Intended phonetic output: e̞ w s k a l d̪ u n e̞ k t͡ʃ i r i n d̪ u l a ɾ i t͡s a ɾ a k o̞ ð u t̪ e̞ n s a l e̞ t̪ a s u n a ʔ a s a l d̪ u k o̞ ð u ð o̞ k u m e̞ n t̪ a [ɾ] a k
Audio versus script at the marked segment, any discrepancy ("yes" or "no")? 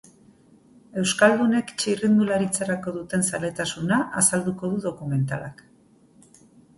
yes